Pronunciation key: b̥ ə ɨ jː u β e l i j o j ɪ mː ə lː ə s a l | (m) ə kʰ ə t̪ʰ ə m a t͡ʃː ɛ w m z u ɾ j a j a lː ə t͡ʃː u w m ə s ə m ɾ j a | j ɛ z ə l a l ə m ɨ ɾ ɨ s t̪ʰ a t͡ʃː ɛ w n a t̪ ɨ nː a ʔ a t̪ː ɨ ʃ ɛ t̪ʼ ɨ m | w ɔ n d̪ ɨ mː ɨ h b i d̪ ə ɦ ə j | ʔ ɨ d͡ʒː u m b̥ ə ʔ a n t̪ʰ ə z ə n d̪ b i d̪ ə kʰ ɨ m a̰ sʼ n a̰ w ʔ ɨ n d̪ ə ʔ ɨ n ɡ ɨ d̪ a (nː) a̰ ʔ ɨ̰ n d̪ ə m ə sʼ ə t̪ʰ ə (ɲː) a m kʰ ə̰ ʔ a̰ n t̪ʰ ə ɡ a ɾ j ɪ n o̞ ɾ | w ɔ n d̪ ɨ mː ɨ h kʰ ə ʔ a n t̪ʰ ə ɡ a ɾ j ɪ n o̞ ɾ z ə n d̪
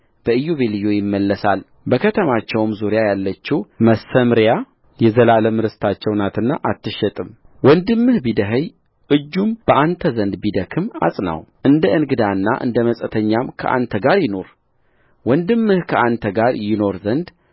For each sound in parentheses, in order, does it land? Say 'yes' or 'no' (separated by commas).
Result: no, yes, yes